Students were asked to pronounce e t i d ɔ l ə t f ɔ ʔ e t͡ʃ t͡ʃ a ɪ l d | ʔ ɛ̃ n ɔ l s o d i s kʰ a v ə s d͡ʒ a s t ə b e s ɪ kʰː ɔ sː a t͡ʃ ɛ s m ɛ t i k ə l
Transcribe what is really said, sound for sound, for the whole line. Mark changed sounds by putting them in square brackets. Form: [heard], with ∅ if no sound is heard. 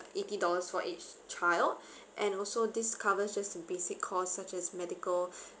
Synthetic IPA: e t i d ɔ l ə [s] f ɔ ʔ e t͡ʃ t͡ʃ a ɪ l d | ʔ ɛ̃ n ɔ l s o d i s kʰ a v ə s d͡ʒ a s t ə b e s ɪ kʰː ɔ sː a t͡ʃ ɛ s m ɛ [d] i k ə l